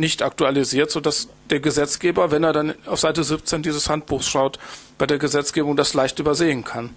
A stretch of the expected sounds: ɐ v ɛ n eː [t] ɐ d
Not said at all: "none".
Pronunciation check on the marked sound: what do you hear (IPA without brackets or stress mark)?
none